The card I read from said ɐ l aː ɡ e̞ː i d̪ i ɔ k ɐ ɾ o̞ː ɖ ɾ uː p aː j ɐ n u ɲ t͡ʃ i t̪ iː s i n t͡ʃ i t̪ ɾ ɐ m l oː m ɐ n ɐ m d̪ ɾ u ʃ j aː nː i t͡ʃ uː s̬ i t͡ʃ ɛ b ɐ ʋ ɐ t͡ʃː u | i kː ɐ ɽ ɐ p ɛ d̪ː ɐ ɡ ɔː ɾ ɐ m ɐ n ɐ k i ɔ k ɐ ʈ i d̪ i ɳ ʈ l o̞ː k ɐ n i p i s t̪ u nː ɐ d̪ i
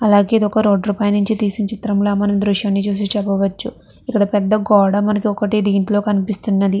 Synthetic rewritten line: ɐ l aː ɡ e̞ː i d̪ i ɔ k ɐ ɾ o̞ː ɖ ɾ uː p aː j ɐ n u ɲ t͡ʃ i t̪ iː s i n t͡ʃ i t̪ ɾ ɐ m l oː m ɐ n ɐ m d̪ ɾ u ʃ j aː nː i t͡ʃ uː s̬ i t͡ʃ ɛ b ɐ ʋ ɐ t͡ʃː u | i kː ɐ ɽ ɐ p ɛ d̪ː ɐ ɡ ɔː ɽ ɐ m ɐ n ɐ k i ɔ k ɐ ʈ i d̪ iː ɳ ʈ l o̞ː k ɐ n i p i s t̪ u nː ɐ d̪ i